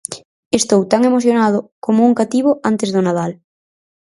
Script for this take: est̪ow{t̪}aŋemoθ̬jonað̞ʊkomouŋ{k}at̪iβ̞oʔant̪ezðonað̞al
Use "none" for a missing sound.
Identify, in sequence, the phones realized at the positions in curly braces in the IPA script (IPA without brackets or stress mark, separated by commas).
t̪, k